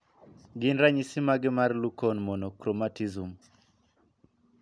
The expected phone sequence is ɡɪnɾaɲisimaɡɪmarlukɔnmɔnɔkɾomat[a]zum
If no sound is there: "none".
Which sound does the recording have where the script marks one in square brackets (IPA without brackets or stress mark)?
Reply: i